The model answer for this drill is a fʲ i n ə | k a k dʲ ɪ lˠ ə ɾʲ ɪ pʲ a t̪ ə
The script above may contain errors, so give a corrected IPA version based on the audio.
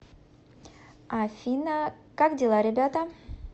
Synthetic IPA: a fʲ i n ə | k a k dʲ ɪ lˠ a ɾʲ ɪ bʲ a t̪ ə